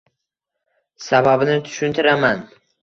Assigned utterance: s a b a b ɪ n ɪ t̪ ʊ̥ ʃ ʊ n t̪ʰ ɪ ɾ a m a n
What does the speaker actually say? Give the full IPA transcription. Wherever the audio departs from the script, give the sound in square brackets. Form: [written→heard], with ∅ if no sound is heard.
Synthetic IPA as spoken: s a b a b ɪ n ɪ [t̪→t̪ʰ] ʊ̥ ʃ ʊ n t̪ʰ ɪ ɾ a m a n